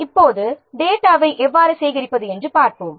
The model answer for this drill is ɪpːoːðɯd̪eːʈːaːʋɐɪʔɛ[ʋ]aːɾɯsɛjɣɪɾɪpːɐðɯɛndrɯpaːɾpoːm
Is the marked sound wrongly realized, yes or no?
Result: yes